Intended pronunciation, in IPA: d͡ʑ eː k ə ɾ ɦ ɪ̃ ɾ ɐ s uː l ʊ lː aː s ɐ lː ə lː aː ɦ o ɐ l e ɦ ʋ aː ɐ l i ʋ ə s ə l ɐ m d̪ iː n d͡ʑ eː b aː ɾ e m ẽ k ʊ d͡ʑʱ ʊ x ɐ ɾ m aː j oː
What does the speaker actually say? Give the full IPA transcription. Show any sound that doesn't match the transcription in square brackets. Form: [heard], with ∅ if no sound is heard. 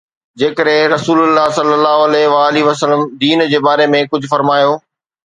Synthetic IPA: d͡ʑ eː k ə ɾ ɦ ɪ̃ ɾ ɐ s uː l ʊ lː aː s ɐ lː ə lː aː ɦ o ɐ l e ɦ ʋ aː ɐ l i ʋ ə s ə l [ə] m d̪ iː n d͡ʑ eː b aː ɾ e m ẽ k ʊ d͡ʑʱ ʊ [f] ɐ ɾ m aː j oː